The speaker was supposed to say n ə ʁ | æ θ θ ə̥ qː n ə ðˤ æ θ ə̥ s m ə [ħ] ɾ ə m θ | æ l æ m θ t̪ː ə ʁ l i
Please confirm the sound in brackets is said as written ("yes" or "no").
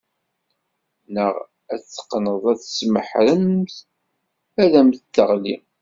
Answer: yes